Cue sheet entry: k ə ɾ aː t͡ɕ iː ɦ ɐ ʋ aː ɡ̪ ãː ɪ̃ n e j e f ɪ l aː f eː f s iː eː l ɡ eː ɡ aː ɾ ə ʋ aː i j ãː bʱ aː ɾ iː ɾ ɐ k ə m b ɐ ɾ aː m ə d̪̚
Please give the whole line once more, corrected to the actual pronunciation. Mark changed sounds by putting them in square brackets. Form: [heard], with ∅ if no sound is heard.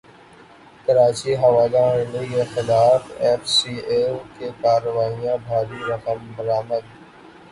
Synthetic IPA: k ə ɾ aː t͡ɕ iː ɦ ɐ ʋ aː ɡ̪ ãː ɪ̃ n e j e [x] ɪ l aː f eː f s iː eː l [k] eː [k] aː ɾ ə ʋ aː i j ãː bʱ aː ɾ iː ɾ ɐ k ə m b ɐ ɾ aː m ə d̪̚